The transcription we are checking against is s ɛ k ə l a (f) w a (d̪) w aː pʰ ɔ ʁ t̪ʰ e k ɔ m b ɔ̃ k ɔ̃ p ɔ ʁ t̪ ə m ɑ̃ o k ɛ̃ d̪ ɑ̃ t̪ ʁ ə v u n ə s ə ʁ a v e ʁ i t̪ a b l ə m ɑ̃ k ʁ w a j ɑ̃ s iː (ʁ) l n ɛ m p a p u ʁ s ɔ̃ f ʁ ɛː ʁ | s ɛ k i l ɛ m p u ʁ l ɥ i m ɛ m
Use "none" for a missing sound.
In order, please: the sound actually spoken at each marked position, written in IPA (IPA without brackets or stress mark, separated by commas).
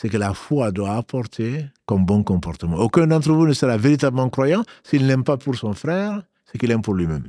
f, d̪, none